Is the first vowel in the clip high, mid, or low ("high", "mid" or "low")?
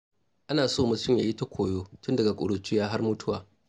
low